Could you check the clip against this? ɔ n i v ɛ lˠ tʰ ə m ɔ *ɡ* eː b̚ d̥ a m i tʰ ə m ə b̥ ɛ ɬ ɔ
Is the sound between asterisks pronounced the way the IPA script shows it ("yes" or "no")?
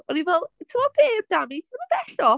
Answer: no